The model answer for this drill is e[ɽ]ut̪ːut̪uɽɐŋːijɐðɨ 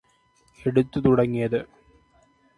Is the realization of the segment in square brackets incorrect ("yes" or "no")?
no